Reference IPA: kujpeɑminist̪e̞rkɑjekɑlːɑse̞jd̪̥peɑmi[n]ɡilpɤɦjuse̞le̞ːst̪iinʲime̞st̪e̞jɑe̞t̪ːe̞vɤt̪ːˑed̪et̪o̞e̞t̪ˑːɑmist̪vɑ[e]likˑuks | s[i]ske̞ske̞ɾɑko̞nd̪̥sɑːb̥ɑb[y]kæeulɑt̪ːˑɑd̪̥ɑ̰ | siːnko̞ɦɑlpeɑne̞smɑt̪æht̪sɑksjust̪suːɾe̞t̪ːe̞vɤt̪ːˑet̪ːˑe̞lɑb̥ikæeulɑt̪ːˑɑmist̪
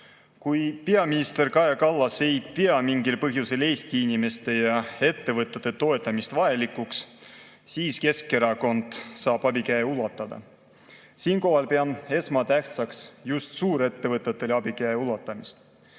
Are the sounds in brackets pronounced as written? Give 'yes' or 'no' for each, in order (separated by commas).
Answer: no, yes, no, no